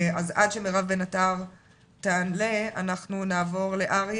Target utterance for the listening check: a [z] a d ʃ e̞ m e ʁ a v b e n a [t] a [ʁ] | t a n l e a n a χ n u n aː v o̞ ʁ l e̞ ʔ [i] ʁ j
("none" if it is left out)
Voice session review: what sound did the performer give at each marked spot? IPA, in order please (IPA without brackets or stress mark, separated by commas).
z, t, ʁ, a